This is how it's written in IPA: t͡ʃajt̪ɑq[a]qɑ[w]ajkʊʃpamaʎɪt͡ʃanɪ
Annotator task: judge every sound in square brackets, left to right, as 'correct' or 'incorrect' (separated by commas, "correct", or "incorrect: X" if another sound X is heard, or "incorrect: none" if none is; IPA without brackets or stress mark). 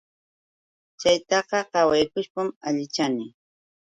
incorrect: ɑ, correct